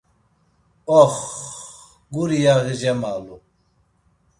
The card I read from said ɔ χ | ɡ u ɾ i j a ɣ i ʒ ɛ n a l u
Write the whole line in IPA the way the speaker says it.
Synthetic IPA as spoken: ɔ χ | ɡ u ɾ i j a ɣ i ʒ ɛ m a l u